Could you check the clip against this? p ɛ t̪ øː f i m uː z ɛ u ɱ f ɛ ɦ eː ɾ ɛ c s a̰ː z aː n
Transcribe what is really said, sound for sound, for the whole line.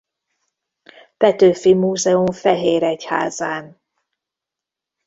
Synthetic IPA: p ɛ t̪ øː f i m uː z ɛ u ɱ f ɛ ɦ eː ɾ ɛ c h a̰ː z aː n